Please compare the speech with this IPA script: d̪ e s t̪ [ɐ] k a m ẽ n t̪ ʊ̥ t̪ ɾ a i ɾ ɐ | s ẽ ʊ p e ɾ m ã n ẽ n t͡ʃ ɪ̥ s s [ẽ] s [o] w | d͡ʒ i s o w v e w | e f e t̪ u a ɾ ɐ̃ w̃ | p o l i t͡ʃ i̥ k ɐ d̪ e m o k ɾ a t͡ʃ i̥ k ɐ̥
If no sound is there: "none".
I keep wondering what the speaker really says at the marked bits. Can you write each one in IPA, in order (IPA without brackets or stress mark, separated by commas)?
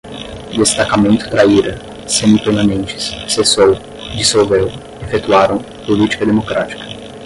a, e, o